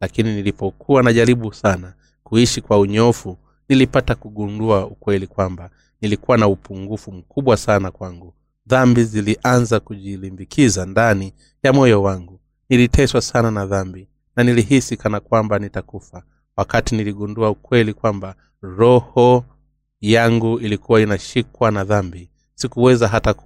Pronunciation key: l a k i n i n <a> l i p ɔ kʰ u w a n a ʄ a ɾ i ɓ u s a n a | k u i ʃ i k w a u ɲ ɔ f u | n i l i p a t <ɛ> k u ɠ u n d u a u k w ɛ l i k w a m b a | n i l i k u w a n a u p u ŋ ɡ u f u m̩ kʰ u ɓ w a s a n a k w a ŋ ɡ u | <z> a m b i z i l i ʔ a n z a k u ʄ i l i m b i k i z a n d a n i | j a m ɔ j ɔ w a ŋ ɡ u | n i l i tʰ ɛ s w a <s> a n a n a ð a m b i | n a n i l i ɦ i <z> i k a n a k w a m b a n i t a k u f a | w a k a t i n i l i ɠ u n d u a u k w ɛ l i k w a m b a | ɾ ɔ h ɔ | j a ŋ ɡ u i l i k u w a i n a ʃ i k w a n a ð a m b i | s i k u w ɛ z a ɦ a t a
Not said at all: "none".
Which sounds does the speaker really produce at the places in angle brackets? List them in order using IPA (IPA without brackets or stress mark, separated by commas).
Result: i, a, ð, s, s